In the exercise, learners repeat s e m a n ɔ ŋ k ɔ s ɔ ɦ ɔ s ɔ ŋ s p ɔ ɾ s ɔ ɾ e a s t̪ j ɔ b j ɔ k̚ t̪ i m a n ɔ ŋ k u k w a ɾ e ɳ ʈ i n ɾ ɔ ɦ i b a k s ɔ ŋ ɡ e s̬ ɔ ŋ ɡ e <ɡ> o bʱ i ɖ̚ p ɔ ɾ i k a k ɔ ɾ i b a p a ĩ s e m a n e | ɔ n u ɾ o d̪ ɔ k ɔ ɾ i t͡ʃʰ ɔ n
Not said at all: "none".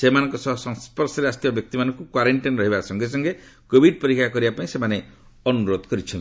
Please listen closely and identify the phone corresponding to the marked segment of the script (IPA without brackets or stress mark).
k